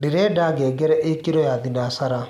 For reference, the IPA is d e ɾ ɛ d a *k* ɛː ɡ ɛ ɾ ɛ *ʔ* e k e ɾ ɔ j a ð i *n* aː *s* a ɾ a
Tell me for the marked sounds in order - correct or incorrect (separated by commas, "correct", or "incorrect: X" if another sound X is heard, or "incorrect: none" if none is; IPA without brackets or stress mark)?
incorrect: ɡ, correct, correct, correct